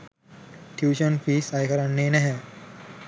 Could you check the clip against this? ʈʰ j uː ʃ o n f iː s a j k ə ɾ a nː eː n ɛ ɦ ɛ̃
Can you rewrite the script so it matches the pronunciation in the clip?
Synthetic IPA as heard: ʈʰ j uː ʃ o n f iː s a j k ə ɾ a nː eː n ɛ ɦ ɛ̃